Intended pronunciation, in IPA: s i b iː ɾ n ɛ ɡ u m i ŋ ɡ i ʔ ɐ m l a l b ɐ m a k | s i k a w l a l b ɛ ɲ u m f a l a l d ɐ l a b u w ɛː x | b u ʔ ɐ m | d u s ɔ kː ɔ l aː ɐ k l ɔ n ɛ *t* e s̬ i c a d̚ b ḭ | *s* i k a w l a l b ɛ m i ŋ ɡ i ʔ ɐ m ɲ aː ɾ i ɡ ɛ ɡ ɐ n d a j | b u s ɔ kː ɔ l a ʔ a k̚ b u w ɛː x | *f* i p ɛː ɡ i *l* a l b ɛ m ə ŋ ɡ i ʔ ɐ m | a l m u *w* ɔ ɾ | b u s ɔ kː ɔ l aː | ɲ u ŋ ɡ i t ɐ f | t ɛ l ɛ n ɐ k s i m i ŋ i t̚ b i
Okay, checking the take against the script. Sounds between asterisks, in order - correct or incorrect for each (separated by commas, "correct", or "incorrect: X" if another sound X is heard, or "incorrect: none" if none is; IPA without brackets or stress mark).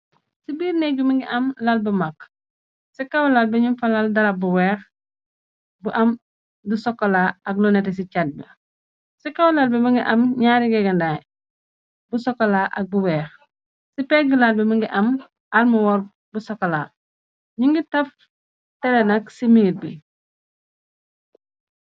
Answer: correct, correct, incorrect: s, correct, correct